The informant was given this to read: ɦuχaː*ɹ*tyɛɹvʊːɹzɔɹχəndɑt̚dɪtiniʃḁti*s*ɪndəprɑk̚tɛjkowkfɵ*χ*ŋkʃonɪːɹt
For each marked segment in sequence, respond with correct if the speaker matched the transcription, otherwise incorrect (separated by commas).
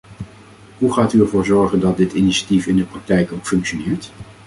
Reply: incorrect, incorrect, incorrect